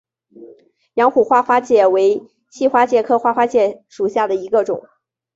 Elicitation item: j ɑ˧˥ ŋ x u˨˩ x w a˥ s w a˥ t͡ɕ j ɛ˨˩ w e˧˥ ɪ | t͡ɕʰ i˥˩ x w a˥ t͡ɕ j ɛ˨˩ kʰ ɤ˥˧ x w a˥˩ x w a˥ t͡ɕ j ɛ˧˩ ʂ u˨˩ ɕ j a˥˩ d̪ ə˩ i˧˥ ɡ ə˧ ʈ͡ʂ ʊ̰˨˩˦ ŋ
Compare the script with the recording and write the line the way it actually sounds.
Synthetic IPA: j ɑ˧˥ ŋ x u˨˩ x w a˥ x w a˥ t͡ɕ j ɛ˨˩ w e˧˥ ɪ | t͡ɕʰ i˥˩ x w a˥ t͡ɕ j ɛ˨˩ kʰ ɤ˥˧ x w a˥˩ x w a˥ t͡ɕ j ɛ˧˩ ʂ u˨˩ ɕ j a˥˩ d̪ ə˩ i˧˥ ɡ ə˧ ʈ͡ʂ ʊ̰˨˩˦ ŋ